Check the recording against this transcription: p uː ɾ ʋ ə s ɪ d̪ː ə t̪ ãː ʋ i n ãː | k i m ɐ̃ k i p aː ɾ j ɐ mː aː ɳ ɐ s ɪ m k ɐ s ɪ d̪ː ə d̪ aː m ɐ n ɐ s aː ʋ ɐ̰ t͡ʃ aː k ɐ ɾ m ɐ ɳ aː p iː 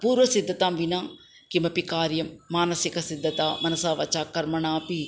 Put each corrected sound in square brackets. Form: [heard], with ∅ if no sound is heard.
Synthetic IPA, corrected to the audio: p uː ɾ ʋ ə s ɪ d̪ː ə t̪ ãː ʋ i n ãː | k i m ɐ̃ [p] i [k] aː ɾ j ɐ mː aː [n] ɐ s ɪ [∅] k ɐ s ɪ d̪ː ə [t̪] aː m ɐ n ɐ s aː ʋ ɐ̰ t͡ʃ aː k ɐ ɾ m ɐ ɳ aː p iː